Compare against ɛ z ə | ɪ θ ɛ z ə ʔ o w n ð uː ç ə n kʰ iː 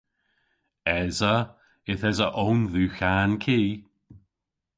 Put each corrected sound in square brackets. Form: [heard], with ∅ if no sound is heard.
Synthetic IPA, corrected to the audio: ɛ z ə | ɪ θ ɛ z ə ʔ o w n ð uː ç [a] n kʰ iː

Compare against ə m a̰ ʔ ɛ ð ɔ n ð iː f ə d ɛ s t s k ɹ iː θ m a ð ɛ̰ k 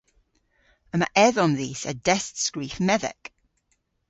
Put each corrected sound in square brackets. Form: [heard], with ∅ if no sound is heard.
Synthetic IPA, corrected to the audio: ə m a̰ ʔ ɛ ð ɔ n ð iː [s] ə d ɛ s t s k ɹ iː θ m [ɛ] ð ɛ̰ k

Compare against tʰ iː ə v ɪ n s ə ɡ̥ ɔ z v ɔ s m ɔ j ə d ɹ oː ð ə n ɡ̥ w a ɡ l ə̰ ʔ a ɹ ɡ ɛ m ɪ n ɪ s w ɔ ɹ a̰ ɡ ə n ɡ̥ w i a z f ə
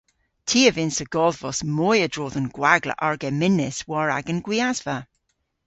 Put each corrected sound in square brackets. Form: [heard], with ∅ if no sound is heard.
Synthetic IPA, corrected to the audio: tʰ iː ə v ɪ n s ə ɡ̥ ɔ [ð] v ɔ s m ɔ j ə d ɹ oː ð ə n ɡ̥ w a ɡ l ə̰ ʔ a ɹ ɡ ɛ m ɪ n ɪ s w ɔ ɹ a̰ ɡ ə n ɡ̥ w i a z [v] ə

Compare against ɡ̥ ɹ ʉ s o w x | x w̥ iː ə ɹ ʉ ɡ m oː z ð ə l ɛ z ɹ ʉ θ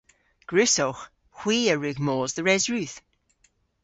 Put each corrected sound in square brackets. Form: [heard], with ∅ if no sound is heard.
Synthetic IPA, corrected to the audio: ɡ̥ ɹ ʉ s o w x | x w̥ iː ə ɹ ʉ ɡ m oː z ð ə [ɹ] ɛ z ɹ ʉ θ

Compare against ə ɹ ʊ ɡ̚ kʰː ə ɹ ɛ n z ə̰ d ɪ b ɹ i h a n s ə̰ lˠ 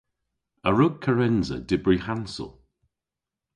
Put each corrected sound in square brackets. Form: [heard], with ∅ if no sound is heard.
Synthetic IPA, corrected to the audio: ə ɹ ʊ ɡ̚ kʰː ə ɹ ɛ n z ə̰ d ɪ b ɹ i h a n s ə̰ lˠ

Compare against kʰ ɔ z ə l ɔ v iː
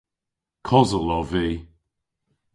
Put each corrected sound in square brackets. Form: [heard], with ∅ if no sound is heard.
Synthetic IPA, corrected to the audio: kʰ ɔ z ə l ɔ v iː

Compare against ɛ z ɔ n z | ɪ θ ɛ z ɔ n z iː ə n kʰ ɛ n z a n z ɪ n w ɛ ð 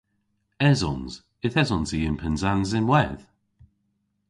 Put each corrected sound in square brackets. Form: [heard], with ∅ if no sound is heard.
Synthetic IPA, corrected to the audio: ɛ z ɔ n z | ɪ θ ɛ z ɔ n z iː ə n [pʰ] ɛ n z a n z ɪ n w ɛ ð

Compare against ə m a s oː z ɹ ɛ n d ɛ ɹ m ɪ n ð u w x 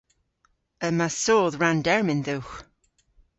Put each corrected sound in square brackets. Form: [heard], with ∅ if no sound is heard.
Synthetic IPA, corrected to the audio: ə m a s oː [ð] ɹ [a] n d ɛ ɹ m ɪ n ð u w x

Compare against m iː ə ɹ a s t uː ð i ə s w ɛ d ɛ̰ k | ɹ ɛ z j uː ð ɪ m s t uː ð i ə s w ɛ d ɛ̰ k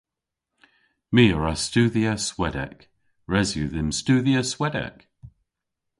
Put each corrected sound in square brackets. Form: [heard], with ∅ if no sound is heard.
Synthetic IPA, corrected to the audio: m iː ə ɹ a s t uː ð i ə s w ɛ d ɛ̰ k | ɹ ɛ z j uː ð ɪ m s t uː ð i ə s w ɛ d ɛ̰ k

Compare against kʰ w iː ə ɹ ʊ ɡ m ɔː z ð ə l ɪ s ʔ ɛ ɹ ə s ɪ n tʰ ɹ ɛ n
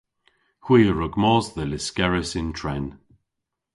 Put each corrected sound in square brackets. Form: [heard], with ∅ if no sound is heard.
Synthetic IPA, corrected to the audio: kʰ w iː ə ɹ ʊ ɡ m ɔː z ð ə l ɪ s [k] ɛ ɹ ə s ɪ n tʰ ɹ ɛ n

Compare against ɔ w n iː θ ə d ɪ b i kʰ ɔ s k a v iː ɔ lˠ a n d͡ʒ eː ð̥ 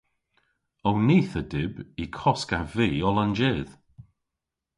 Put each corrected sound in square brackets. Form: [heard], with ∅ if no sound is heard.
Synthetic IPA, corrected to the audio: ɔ w n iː θ ə d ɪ b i kʰ ɔ s k a v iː ɔ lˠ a n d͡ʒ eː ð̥

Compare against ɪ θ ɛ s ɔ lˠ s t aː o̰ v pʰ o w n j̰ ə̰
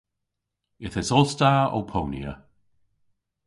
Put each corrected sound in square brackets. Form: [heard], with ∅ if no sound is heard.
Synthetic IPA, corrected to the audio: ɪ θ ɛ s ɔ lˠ s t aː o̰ [w] pʰ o w n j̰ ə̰

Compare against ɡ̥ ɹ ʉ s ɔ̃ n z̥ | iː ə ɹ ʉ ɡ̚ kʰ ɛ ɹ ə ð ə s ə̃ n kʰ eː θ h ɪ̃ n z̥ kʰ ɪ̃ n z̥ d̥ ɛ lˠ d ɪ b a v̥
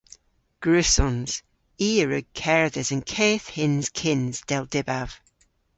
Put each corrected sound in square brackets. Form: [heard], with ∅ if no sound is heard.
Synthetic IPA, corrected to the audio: ɡ̥ ɹ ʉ s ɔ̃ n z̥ | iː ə ɹ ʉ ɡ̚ kʰ ɛ ɹ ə ð ə [z] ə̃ n kʰ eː θ h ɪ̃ n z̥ kʰ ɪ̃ n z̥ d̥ ɛ lˠ d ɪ b a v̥

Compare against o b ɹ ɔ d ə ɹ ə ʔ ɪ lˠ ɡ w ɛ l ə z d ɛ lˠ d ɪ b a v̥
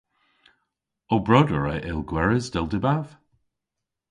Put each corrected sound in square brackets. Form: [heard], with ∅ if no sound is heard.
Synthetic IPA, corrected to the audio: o b ɹ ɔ d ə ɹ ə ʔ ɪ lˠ ɡ w ɛ [ɹ] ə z d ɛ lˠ d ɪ b a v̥

